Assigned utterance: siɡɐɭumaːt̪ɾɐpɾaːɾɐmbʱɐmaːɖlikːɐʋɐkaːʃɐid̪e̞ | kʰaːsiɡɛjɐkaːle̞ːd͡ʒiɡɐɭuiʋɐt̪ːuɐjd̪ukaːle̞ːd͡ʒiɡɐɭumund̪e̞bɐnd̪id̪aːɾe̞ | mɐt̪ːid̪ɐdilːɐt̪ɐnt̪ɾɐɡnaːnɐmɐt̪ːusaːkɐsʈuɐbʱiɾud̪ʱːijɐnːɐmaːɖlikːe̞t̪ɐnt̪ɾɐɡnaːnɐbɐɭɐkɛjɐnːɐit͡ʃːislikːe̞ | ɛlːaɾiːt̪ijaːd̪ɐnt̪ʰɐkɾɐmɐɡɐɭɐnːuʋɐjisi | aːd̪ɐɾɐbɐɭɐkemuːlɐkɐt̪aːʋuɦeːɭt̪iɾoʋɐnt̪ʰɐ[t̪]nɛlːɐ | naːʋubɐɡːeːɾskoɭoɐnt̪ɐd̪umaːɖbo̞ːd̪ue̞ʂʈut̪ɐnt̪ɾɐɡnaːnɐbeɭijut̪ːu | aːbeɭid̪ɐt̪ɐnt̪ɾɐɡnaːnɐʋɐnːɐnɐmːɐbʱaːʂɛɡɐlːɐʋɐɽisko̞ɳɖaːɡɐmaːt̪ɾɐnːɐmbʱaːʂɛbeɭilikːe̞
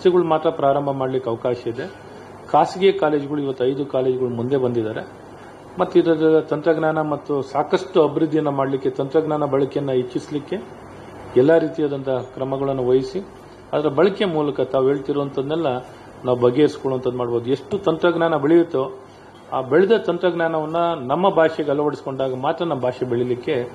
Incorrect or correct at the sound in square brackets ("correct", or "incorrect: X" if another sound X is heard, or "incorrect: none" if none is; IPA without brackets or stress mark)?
incorrect: d̪